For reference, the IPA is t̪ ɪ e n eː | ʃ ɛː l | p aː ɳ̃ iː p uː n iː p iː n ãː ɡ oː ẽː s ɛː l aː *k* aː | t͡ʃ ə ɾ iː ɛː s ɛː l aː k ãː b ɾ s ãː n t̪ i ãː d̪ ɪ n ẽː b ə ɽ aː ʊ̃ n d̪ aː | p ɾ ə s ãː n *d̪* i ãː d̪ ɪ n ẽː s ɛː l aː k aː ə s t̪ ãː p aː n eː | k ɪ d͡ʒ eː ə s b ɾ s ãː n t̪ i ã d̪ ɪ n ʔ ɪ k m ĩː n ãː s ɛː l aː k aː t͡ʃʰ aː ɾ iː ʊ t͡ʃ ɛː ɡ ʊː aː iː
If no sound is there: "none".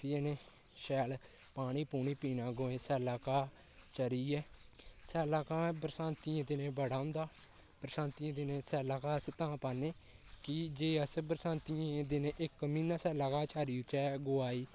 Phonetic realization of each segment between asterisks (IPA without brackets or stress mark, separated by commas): k, t̪